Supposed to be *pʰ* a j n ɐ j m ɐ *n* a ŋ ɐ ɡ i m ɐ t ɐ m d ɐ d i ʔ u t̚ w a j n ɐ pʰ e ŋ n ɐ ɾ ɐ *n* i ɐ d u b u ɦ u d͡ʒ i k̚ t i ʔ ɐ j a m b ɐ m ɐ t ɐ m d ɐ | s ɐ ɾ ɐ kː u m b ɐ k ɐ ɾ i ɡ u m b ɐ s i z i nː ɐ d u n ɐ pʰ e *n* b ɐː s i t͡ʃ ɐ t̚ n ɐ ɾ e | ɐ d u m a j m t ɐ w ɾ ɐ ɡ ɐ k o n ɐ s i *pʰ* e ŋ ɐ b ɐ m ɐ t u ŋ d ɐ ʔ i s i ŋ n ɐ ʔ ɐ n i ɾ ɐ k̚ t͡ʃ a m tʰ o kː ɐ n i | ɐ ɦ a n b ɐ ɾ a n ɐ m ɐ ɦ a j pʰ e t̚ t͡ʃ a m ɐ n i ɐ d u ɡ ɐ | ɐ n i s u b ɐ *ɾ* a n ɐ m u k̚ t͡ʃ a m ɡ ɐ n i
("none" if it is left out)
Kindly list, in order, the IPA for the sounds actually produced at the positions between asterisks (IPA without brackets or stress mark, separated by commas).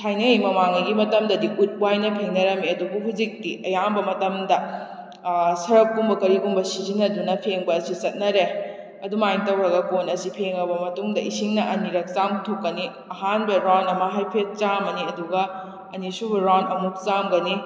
tʰ, m, m, ŋ, pʰ, ɾ